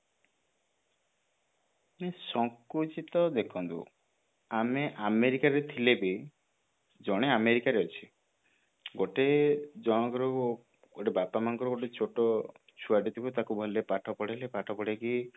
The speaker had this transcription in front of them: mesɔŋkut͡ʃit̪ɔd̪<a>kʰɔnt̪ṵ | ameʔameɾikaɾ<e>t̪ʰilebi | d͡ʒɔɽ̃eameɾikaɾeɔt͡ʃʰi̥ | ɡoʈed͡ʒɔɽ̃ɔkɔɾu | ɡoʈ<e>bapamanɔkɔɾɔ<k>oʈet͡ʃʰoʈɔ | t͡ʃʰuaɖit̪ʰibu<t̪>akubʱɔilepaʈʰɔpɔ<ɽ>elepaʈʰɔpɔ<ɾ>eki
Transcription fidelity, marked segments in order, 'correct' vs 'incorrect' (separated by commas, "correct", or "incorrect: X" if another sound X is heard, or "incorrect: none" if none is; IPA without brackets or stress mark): incorrect: e, correct, correct, incorrect: ɡ, correct, correct, incorrect: ɽ